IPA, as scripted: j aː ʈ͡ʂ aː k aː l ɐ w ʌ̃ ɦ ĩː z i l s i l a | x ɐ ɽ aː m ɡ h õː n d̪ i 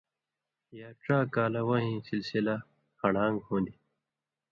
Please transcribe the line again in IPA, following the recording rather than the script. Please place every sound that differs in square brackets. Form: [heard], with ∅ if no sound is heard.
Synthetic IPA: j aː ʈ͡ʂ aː k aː l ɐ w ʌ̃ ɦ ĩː [s] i l s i l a | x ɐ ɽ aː [ŋ] ɡ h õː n d̪ i

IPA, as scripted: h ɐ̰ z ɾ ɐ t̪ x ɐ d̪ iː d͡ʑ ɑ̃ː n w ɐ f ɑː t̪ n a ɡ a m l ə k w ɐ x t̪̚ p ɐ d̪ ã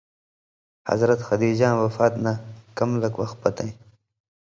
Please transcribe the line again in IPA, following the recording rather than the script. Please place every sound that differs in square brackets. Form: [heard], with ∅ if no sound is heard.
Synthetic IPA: h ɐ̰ z ɾ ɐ t̪ x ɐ d̪ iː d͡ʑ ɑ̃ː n w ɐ f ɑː t̪ n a [k] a m l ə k w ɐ x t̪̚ p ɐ [t̪] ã

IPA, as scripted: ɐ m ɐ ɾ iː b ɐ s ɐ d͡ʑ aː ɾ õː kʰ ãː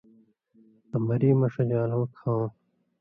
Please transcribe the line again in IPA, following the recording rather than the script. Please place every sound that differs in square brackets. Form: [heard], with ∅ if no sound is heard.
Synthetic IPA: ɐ m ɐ ɾ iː [m] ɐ [ʂ] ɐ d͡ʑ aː [l] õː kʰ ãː

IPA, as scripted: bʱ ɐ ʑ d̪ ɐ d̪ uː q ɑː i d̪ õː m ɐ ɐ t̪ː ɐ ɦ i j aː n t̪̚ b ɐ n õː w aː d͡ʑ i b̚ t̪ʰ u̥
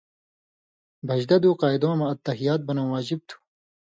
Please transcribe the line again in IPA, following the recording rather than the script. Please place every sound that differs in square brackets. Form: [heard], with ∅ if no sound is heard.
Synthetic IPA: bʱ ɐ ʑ d̪ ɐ d̪ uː q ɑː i d̪ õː m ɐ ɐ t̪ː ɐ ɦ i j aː [∅] t̪̚ b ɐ n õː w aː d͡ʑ i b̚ t̪ʰ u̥

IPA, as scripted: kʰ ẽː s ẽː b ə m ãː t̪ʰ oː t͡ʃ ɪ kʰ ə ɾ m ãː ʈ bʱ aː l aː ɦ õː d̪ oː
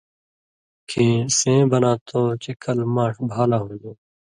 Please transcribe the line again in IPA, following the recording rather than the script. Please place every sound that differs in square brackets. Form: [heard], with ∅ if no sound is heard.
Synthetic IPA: kʰ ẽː s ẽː b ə [n] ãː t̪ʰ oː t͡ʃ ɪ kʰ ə [l] m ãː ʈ bʱ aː l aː ɦ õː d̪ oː

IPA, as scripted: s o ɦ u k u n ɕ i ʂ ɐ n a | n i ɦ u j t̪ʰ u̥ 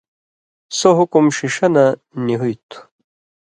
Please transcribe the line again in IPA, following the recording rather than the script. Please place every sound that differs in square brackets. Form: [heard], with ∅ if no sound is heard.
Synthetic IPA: s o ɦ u k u [m] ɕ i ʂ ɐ n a | n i ɦ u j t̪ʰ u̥

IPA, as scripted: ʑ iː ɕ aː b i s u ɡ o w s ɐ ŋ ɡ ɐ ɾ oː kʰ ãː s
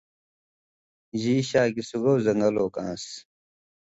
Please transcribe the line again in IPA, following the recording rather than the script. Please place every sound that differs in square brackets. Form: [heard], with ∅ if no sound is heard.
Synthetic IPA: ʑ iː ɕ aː [ɡ] i s u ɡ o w [z] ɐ ŋ ɡ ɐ [l] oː [k] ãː s

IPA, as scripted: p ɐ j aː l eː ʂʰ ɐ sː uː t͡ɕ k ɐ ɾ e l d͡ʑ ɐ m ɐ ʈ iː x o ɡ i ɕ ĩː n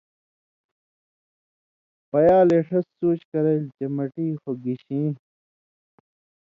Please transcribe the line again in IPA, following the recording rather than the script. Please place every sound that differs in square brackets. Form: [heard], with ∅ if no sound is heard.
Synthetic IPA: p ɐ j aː l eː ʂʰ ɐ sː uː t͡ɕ k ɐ ɾ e l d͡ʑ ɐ m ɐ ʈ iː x o ɡ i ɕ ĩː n

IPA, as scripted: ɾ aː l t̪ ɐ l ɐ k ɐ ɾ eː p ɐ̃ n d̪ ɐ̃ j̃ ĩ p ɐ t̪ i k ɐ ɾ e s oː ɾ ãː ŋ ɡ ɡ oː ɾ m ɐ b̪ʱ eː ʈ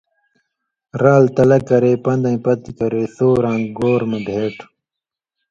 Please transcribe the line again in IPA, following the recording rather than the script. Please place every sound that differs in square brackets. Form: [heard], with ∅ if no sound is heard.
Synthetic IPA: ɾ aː l t̪ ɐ l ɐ k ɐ ɾ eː p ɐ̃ n d̪ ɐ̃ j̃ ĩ p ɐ t̪ i k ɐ ɾ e s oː ɾ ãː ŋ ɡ ɡ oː ɾ m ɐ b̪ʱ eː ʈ

